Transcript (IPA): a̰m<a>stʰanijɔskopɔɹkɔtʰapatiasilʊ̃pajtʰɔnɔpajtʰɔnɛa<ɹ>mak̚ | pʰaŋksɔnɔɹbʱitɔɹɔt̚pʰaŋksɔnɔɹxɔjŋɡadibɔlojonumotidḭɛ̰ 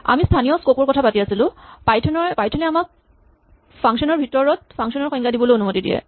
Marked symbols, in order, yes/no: no, no

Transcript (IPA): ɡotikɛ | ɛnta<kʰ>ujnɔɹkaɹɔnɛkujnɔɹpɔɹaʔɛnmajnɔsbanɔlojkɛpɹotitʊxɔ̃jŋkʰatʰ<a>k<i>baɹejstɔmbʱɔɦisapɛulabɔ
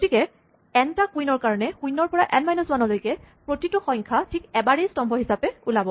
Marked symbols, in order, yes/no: no, no, no

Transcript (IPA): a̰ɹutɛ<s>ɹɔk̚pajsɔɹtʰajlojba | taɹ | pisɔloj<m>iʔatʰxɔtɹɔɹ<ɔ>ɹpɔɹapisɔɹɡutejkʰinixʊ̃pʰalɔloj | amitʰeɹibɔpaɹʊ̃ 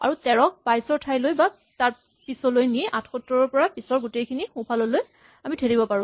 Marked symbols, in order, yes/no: no, no, yes

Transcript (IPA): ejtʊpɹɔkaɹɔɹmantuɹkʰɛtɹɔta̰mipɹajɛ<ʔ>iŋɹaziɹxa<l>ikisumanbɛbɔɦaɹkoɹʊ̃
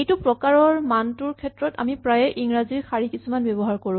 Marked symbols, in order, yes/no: yes, no

